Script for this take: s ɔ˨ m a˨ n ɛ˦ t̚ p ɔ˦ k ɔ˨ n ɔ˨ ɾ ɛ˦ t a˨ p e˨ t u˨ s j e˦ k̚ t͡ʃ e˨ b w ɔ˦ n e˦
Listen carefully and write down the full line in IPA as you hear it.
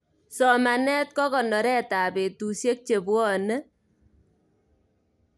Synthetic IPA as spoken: s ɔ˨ m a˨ n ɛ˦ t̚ k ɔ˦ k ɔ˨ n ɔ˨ ɾ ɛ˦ t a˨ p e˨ t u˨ s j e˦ k̚ t͡ʃ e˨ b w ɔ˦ n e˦